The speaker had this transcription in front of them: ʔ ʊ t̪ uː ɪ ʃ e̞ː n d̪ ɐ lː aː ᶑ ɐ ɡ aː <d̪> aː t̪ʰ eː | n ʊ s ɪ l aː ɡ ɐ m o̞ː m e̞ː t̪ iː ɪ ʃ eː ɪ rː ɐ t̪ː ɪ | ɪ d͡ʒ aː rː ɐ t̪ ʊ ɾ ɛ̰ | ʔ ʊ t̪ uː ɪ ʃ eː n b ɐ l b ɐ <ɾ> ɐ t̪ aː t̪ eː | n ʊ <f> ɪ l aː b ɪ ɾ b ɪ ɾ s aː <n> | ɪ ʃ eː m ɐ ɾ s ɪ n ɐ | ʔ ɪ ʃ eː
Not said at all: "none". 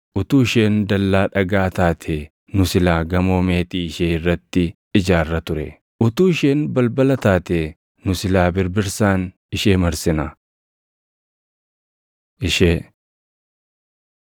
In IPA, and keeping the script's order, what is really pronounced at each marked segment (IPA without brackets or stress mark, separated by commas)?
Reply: t̪, l, s, n